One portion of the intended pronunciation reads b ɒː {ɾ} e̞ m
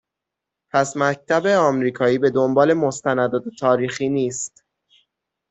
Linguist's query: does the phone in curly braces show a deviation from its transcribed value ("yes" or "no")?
yes